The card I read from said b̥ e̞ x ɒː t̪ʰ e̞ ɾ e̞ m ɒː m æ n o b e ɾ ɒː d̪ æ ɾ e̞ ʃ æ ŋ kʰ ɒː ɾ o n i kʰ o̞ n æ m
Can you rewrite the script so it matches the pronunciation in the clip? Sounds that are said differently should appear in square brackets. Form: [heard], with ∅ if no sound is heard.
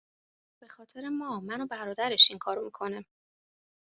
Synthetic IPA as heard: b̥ e̞ x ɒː t̪ʰ e̞ ɾ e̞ m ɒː m æ n o b [æ] ɾ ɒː d̪ æ ɾ e̞ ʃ [i] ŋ kʰ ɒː ɾ o [m] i kʰ o̞ n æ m